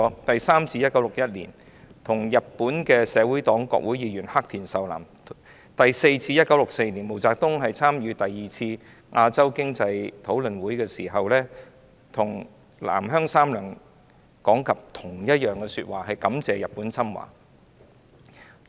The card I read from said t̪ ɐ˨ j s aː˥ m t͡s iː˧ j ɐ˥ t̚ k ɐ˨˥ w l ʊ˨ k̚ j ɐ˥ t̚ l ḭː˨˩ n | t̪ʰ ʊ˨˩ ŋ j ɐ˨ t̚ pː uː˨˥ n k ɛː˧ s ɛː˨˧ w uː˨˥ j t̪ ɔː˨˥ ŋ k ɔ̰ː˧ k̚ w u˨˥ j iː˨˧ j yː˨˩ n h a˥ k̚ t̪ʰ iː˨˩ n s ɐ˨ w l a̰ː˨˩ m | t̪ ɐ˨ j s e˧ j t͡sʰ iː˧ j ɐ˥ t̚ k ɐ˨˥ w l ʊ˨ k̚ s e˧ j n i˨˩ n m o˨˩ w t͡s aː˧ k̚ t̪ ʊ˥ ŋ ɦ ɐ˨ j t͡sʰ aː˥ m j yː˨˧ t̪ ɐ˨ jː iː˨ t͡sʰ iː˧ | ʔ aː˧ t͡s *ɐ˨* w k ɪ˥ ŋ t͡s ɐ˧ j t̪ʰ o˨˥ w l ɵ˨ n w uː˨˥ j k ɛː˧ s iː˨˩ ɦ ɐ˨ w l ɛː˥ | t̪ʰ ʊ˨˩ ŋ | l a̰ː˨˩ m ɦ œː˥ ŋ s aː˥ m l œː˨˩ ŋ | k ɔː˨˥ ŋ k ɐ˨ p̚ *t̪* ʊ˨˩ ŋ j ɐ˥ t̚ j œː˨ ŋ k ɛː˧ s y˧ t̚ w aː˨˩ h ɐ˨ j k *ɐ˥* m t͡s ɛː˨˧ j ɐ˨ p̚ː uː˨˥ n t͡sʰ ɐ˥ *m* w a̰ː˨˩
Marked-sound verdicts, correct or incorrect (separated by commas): incorrect, incorrect, incorrect, correct